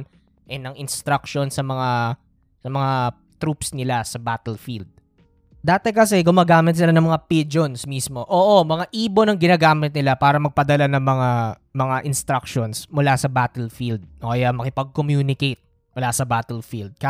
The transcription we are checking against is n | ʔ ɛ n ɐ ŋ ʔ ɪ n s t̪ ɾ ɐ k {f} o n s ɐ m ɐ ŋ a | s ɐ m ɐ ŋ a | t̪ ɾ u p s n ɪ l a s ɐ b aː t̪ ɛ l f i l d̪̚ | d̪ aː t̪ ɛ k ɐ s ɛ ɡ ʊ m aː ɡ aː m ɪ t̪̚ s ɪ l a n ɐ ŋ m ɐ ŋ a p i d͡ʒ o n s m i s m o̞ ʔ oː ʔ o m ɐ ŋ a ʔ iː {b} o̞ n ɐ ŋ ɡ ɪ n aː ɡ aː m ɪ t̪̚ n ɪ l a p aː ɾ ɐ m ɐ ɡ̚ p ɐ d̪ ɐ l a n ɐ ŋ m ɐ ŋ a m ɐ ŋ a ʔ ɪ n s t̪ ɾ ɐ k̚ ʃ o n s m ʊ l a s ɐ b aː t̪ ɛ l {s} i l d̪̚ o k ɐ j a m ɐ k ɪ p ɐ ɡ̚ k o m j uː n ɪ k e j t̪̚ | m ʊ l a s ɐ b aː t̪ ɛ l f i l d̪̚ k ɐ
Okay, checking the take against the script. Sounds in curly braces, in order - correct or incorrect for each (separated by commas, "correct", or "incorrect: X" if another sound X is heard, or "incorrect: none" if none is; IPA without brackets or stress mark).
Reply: incorrect: ʃ, correct, incorrect: f